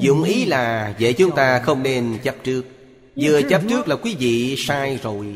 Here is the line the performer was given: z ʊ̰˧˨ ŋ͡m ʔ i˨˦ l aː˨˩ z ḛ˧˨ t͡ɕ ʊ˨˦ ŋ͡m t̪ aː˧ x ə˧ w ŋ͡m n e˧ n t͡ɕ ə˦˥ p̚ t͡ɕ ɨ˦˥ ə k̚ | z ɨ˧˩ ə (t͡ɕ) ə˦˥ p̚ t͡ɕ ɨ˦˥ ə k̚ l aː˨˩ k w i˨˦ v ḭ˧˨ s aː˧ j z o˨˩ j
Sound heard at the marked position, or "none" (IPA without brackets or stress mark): t͡ɕ